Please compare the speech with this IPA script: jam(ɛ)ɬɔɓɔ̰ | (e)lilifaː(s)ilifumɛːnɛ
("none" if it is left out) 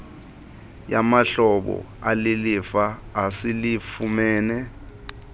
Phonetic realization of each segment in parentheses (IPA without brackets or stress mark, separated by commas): a, a, s